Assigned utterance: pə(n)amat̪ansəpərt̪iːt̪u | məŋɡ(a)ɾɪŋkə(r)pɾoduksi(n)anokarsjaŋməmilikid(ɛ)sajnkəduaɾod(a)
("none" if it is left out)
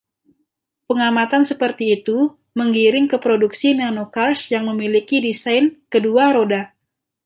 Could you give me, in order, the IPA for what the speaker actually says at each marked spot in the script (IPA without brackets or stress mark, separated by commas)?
ŋ, i, none, n, i, a